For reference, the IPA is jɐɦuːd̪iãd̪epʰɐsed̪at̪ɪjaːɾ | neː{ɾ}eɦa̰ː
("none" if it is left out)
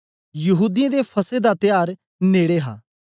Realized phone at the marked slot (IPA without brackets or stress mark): ɽ